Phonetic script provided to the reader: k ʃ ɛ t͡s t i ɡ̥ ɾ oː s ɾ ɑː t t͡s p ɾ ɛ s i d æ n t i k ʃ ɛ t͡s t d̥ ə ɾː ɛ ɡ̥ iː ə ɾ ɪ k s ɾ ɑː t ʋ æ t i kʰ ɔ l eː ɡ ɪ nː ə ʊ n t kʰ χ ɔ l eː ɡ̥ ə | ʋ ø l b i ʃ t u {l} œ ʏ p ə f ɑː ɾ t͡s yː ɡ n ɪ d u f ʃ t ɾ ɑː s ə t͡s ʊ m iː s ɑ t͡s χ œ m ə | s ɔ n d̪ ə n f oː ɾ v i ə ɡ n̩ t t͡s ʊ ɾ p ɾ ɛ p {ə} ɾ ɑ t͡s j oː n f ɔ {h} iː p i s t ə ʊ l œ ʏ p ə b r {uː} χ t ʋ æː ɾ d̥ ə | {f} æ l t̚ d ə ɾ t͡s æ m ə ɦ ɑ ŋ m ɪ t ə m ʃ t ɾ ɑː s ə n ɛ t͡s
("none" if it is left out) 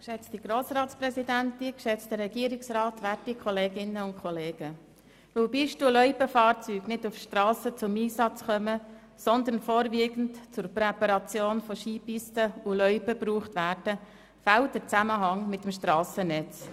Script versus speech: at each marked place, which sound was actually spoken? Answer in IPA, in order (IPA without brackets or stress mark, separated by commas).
l, ɑ, ʃ, uː, f